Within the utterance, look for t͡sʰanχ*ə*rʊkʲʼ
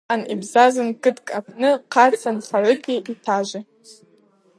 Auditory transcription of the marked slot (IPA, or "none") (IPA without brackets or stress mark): a